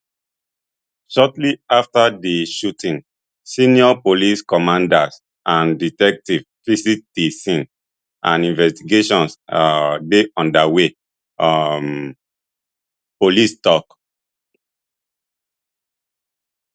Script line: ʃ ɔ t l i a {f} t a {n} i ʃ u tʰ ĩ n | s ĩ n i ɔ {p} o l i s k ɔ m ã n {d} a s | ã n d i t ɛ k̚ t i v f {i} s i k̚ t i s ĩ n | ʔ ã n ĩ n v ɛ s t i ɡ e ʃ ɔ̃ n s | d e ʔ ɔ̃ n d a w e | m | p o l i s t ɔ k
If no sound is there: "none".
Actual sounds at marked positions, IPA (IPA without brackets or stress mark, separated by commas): f, d, p, d, i